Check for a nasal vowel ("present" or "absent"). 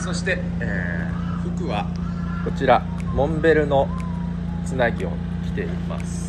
present